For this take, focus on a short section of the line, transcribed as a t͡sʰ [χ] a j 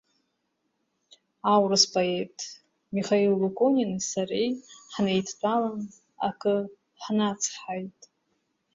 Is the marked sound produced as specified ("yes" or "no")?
no